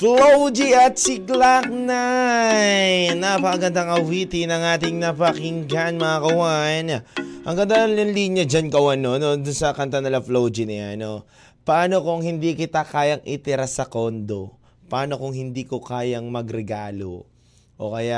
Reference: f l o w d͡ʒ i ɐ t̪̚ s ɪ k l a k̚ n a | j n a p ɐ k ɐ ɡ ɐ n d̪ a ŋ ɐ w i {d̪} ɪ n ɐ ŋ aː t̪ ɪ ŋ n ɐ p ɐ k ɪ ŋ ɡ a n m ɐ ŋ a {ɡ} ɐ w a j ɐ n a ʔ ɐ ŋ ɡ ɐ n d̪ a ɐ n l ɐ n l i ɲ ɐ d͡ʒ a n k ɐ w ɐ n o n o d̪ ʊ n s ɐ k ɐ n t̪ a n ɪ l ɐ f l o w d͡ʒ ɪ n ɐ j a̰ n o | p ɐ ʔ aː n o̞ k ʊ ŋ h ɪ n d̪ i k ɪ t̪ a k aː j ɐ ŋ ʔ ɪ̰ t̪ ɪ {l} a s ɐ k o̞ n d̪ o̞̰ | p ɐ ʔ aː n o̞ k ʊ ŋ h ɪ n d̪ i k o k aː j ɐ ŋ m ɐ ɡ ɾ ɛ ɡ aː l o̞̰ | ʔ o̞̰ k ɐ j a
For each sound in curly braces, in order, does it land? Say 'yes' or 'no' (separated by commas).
no, no, no